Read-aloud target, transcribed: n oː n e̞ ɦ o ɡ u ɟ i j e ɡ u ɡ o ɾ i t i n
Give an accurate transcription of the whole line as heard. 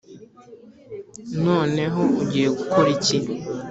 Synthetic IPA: n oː n e̞ ɦ o u ɟ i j e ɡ u k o ɾ i c i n

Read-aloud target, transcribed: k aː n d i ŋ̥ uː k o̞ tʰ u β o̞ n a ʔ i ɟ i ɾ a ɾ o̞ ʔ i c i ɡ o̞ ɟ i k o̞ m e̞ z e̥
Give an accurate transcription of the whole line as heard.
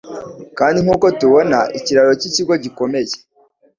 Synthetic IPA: k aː n d i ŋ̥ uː k o̞ t u β o̞ n a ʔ i c i ɾ a ɾ o̞ c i c i ɡ o̞ ɟ i k o̞ m e̞ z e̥

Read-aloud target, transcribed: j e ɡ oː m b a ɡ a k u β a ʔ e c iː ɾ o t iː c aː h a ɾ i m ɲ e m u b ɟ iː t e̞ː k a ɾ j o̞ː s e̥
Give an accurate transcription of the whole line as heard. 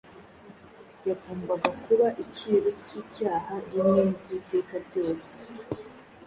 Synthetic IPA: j a ɡ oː m b a ɡ a k u β a ʔ i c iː ɾ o c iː c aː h a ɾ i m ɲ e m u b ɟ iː t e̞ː k a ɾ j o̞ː s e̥

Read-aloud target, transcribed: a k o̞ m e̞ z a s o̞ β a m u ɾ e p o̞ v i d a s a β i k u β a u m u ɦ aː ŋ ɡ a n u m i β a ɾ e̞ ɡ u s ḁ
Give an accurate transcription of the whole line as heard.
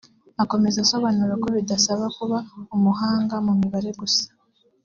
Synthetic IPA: a k o̞ m e̞ z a s o̞ β a n u ɾ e k o̞ β i d a s a β a k u β a u m u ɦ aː ŋ ɡ a m u m i β a ɾ e̞ ɡ u s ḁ

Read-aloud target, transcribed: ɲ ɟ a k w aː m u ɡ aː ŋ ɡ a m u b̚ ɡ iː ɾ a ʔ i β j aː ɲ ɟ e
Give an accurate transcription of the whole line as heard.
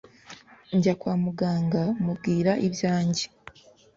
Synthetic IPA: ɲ ɟ a k w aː m u ɡ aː ŋ ɡ a m u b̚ ɡ iː ɾ a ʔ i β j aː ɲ ɟ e

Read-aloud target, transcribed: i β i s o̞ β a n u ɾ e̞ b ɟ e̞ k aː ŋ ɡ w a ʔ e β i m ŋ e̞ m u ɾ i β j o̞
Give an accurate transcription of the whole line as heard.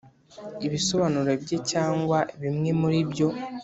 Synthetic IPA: i β i s o̞ β a n u ɾ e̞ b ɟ e̞ c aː ŋ ɡ w a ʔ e β i m ŋ e̞ m u ɾ i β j o̞

